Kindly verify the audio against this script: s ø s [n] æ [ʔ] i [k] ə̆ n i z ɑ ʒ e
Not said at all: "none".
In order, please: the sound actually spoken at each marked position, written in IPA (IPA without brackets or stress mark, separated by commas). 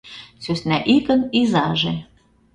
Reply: n, ʔ, k